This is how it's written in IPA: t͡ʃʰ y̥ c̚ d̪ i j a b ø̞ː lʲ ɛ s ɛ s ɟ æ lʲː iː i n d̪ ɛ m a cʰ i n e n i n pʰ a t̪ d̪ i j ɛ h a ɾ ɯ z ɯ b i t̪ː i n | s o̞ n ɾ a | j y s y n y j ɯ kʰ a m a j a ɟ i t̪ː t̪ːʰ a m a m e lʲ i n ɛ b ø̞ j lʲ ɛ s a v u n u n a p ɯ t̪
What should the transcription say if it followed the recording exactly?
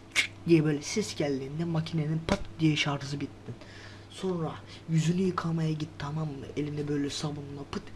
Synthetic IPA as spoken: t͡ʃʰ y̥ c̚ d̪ i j ɛ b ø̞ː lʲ ɛ s ɛ s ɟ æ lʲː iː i n d̪ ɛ m a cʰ i n e n i n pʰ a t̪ d̪ i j ɛ ʃ a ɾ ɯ z ɯ b i t̪ː i n | s o̞ n ɾ a | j y z y n y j ɯ kʰ a m a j a ɟ i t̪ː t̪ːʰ a m a m e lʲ i n ɛ b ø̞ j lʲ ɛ s a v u n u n a p ɯ t̪